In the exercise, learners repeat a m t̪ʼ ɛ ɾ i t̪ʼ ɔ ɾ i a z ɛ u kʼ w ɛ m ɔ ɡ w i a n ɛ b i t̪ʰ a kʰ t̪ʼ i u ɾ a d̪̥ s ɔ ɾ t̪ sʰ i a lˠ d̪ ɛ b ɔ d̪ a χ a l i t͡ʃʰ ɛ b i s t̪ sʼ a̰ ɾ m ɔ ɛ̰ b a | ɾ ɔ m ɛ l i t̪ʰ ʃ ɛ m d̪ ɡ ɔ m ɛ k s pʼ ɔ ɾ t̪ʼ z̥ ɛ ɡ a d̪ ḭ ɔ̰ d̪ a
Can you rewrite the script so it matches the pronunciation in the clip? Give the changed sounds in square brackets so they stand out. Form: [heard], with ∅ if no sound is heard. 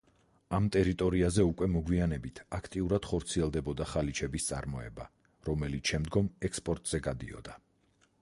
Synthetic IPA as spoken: a m t̪ʼ ɛ ɾ i t̪ʼ ɔ ɾ i a z ɛ u kʼ w ɛ m ɔ ɡ w i a n ɛ b i t̪ʰ a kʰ t̪ʼ i u ɾ a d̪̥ [χ] ɔ ɾ t̪ sʰ i [ɛ] lˠ d̪ ɛ b ɔ d̪ a χ a l i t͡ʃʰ ɛ b i s t̪ sʼ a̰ ɾ m ɔ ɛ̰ b a | ɾ ɔ m ɛ l i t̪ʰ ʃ ɛ m d̪ ɡ ɔ m ɛ k s pʼ ɔ ɾ t̪ʼ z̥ ɛ ɡ a d̪ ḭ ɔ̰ d̪ a